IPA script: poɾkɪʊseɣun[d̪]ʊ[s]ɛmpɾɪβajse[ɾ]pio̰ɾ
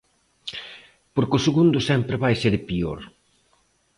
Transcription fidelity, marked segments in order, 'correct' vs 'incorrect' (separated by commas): correct, correct, correct